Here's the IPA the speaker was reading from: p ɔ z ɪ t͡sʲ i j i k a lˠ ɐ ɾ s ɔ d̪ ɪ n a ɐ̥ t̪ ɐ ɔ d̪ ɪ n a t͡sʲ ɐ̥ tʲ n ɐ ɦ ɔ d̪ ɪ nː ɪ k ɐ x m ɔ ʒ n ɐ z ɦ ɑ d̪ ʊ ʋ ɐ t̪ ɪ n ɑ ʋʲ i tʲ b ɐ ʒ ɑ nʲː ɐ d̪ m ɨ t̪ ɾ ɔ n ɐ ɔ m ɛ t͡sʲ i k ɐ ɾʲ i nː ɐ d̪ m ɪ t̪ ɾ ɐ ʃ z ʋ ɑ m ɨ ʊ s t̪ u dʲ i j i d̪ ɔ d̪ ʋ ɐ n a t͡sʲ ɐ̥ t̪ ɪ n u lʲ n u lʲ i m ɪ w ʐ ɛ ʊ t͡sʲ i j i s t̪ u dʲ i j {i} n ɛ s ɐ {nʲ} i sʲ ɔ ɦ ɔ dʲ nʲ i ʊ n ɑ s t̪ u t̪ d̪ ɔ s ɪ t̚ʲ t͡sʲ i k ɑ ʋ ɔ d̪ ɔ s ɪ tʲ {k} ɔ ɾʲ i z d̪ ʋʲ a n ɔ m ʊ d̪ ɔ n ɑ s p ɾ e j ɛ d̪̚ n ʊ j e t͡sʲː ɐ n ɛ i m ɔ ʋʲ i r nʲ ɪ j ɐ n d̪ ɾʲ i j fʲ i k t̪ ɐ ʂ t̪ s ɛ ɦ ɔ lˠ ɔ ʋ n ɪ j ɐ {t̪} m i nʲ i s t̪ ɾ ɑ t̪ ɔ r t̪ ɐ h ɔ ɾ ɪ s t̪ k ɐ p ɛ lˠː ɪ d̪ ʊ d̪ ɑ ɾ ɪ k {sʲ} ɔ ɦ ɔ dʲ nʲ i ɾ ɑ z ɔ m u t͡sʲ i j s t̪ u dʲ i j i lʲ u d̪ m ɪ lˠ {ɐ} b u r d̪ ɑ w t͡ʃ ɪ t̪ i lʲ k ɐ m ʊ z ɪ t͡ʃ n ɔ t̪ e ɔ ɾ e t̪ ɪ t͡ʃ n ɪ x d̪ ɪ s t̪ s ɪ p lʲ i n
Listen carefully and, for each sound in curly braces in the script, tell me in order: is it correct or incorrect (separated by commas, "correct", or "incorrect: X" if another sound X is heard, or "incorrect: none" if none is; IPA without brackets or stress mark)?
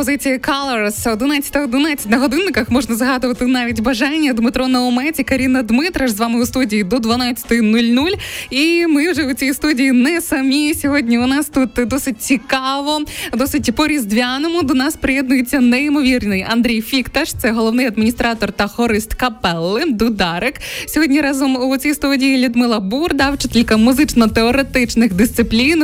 correct, incorrect: mʲ, incorrect: p, incorrect: d̪, correct, correct